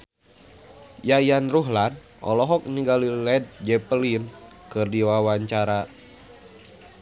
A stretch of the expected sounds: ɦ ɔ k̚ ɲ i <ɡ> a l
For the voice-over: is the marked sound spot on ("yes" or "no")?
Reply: yes